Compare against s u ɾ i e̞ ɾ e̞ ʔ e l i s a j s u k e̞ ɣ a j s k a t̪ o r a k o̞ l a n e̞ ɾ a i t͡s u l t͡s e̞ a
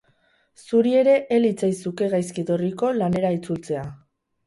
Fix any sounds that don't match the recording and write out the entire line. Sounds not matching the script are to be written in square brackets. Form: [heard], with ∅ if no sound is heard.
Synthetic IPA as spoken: s u ɾ i e̞ ɾ e̞ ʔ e l i [t͡s] a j s u k e̞ ɣ a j s k [i] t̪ o r [i] k o̞ l a n e̞ ɾ a i t͡s u l t͡s e̞ a

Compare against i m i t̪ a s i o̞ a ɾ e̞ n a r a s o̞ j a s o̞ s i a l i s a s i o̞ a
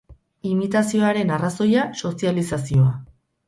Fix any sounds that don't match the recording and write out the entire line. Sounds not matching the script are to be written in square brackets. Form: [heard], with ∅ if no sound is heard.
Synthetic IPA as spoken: i m i t̪ a s i o̞ a ɾ e̞ n a r a s o̞ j a s o̞ s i a l i s a s i o̞ a

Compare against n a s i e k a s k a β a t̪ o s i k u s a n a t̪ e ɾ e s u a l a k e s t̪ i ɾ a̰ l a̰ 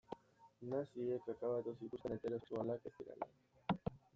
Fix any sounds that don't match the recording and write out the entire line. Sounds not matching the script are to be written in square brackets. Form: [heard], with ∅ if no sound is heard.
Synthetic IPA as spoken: n a s i e k a [∅] k a β a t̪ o s i k u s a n [e] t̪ e ɾ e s u a l a k e s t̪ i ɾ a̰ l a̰

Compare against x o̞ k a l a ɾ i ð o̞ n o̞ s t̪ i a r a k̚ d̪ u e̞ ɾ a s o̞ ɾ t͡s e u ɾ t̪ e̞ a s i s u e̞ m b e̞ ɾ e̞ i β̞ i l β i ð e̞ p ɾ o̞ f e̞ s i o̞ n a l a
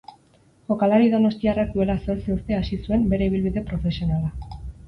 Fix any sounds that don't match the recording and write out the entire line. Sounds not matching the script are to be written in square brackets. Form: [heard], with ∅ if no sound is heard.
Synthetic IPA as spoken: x o̞ k a l a ɾ i ð o̞ n o̞ s t̪ i a r a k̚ d̪ u e̞ [l] a s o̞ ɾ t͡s e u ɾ t̪ e̞ a s i s u e̞ m b e̞ ɾ e̞ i β̞ i l β i ð e̞ p ɾ o̞ f e̞ s i o̞ n a l a

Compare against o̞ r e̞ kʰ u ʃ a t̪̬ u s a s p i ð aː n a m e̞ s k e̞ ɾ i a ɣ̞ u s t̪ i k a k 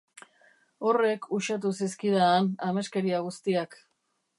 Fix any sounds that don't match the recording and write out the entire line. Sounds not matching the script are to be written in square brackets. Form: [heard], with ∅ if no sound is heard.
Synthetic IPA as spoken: o̞ r e̞ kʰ u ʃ a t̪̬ u s [i] s [k] i ð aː n a m e̞ s k e̞ ɾ i a ɣ̞ u s t̪ i [∅] a k

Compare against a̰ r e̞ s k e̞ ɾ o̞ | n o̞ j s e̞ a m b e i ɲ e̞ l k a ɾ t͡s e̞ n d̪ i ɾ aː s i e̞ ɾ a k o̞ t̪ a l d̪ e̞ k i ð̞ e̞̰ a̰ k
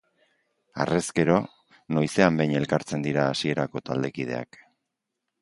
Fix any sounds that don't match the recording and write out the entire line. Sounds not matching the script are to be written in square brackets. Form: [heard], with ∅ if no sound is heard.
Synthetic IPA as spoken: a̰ r e̞ s k e̞ ɾ o̞ | n o̞ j s e̞ a m b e [j] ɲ e̞ l k a ɾ t͡s e̞ n d̪ i ɾ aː s i e̞ ɾ a k o̞ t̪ a l d̪ e̞ k i ð̞ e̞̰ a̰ k

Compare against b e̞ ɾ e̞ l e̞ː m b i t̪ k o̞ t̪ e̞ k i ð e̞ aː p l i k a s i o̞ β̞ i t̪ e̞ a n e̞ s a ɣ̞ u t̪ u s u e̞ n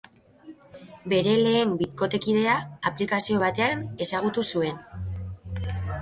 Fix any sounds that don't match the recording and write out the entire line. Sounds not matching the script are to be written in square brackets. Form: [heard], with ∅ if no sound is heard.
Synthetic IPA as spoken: b e̞ ɾ e̞ l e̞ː m b i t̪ k o̞ t̪ e̞ k i ð e̞ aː p l i k a s i o̞ β̞ [a] t̪ e̞ a n e̞ s a ɣ̞ u t̪ u s u e̞ n

